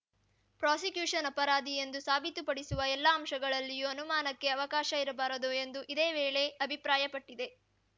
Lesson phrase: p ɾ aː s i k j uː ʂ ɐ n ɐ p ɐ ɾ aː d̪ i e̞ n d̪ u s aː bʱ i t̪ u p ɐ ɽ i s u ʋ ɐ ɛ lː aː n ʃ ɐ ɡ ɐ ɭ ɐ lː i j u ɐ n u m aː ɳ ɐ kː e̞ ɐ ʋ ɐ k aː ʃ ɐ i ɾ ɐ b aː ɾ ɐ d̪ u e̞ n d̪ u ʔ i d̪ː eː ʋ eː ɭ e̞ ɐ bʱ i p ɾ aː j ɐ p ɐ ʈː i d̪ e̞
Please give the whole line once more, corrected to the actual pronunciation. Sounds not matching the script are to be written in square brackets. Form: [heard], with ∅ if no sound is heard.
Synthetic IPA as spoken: p ɾ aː s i k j uː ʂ ɐ n ɐ p ɐ ɾ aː d̪ i e̞ n d̪ u s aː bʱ i t̪ u p ɐ ɽ i s u ʋ ɐ ɛ lː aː [m] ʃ ɐ ɡ ɐ ɭ ɐ lː i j u ɐ n u m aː [n] ɐ kː e̞ ɐ ʋ ɐ k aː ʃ ɐ i ɾ ɐ b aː ɾ ɐ d̪ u e̞ n d̪ u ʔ i [d̪] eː ʋ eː ɭ e̞ ɐ bʱ i p ɾ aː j ɐ p ɐ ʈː i d̪ e̞